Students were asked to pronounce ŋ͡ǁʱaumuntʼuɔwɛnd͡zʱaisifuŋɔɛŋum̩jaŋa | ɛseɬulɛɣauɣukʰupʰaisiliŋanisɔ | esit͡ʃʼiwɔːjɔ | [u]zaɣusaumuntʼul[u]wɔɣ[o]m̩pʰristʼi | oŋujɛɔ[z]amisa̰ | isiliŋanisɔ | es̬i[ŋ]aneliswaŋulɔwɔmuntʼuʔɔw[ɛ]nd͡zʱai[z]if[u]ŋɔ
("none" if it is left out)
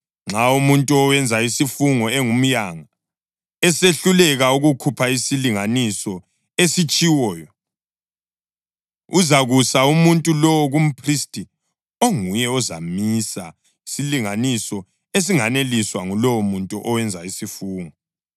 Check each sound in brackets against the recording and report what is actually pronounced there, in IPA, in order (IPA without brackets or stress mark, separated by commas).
u, ɔ, u, z, ŋ, ɛ, s, uː